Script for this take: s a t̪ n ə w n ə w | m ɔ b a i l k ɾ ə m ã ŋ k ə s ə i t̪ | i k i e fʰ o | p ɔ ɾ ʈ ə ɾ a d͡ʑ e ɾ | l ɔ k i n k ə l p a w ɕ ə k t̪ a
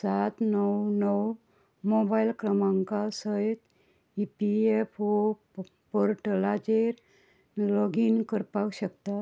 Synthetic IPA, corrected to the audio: s a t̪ n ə w n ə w | m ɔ b a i l k ɾ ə m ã ŋ k a s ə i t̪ | i p i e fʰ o | p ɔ ɾ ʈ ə l a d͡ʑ e ɾ | l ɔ ɡ i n k ə ɾ p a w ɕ ə k t̪ a